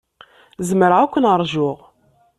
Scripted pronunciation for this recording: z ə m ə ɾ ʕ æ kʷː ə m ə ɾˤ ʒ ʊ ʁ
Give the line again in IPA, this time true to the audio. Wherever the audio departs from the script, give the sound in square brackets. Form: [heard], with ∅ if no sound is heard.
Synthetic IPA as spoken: z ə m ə ɾ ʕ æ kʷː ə [n] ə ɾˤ ʒ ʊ ʁ